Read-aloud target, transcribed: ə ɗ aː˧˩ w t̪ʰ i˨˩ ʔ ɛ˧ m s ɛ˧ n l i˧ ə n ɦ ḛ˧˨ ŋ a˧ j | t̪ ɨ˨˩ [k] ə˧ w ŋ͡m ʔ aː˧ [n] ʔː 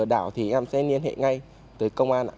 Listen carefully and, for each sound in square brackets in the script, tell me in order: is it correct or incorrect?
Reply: correct, correct

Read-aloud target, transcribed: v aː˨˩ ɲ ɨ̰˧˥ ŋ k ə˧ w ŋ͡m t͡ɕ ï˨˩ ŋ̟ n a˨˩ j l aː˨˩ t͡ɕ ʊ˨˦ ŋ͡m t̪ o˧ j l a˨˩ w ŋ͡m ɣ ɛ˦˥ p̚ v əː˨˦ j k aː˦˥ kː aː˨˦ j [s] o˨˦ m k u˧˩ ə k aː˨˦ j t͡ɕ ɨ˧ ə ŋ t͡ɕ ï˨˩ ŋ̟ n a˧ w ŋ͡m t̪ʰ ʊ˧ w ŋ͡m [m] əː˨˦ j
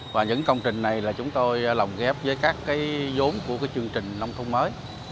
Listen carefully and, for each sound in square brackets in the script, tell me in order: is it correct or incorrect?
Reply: incorrect, correct

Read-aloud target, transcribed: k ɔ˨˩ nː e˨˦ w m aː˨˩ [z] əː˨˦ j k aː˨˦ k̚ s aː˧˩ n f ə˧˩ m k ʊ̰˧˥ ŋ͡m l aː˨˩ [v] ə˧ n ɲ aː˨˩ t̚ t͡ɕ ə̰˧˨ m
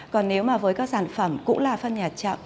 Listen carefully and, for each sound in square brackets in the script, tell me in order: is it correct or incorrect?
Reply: incorrect, incorrect

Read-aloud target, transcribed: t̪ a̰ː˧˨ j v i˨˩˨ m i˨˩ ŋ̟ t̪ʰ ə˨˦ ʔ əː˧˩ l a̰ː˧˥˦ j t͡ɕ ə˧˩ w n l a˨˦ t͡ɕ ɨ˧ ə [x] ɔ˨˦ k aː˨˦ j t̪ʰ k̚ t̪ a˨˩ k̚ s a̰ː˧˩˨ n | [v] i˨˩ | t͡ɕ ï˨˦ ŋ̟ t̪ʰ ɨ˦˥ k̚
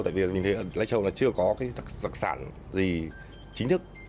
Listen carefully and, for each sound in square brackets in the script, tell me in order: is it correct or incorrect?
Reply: incorrect, incorrect

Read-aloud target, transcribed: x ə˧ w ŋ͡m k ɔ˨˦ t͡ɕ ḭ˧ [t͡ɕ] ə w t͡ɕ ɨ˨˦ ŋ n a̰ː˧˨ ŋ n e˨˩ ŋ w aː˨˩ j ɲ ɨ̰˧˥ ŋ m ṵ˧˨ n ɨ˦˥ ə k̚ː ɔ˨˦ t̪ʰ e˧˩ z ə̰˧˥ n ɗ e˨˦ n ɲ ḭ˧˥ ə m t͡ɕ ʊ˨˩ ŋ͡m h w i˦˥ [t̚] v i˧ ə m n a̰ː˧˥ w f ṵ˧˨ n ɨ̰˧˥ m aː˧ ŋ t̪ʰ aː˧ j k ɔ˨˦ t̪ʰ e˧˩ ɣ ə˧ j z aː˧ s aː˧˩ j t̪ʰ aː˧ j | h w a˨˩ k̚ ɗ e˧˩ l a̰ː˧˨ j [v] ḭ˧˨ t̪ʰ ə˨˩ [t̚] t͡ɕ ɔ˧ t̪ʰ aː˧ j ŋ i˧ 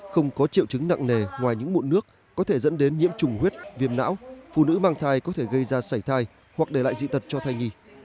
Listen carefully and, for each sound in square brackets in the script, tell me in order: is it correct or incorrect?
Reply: incorrect, correct, incorrect, correct

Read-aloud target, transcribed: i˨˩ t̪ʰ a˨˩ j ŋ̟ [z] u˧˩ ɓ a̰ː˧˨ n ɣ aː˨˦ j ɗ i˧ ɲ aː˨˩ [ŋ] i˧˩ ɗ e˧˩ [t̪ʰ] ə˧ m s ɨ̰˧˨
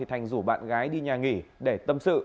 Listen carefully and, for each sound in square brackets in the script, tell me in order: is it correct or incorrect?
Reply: correct, correct, incorrect

